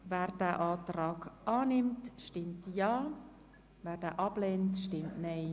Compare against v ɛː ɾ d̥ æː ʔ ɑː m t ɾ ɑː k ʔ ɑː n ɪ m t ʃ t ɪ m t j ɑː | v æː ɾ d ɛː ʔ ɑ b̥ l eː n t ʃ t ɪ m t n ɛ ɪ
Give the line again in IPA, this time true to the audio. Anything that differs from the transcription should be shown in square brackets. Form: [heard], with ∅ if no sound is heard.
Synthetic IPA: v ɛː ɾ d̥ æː ʔ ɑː [∅] t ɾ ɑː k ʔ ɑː n ɪ m t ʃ t ɪ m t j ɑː | v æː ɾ d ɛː ʔ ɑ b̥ l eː n t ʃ t ɪ m t n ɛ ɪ